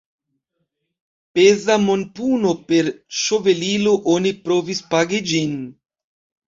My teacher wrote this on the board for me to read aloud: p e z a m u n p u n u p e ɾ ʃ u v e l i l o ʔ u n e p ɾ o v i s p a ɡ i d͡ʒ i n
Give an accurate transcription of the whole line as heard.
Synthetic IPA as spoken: p e z a m o n p u n o p e ɾ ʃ o v e l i l o ʔ o n i p ɾ o v i s p a ɡ i d͡ʒ i n